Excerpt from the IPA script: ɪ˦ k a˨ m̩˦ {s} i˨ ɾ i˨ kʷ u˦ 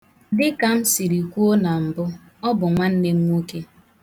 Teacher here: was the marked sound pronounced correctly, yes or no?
yes